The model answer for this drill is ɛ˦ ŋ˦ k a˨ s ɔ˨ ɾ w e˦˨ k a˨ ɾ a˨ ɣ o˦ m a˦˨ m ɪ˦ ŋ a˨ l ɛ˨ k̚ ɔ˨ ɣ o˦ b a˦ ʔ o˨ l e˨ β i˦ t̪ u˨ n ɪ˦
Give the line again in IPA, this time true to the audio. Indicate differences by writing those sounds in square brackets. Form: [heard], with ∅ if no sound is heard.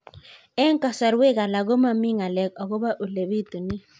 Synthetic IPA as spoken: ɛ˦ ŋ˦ k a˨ s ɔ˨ ɾ w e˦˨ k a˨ [l] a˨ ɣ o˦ m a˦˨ m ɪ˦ ŋ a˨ l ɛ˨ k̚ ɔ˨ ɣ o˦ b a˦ ʔ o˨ l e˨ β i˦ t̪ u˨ n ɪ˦

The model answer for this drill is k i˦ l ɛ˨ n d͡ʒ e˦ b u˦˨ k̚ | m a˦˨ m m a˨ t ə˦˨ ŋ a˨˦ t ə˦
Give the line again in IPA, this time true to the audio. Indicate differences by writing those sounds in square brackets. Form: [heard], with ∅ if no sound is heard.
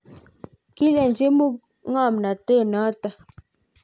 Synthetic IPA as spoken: k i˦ l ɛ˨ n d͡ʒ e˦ [m] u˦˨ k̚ | [ŋ] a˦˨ m [n] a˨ t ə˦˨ [n] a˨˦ t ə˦

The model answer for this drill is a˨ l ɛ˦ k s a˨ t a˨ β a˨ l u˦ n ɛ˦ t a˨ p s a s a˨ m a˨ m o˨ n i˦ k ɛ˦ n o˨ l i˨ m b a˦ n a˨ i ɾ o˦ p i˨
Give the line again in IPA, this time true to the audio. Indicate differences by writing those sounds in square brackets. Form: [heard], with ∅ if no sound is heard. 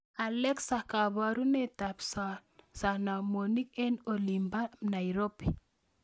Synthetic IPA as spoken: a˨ l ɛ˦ k s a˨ [k] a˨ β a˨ [ɾ] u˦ n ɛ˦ t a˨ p s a s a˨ [n] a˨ m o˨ n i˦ k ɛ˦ n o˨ l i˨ m b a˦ n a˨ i ɾ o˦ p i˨

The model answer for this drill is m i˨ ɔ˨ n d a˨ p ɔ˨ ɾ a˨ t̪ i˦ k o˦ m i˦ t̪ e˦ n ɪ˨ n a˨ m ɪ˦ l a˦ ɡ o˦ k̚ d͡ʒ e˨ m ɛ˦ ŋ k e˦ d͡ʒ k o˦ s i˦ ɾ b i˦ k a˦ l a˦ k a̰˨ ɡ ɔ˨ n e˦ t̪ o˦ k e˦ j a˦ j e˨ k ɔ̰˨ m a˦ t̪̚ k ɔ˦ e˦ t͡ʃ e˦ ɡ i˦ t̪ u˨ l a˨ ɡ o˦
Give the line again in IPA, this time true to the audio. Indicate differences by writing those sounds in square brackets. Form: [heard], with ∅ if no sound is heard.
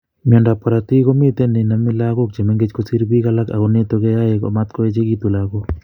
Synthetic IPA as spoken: m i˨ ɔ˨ n d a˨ p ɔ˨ ɾ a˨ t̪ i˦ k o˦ m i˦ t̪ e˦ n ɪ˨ n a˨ m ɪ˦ l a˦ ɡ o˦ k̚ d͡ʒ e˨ m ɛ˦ ŋ [ɡ] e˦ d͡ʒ k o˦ s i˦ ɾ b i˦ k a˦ l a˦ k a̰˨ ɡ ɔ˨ n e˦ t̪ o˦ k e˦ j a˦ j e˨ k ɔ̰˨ m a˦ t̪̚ k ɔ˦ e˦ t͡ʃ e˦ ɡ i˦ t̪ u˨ l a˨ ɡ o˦

